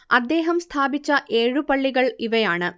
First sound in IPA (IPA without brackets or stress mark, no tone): ɐ